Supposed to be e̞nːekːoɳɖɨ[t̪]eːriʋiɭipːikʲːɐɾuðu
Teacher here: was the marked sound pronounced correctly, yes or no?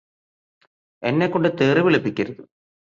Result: yes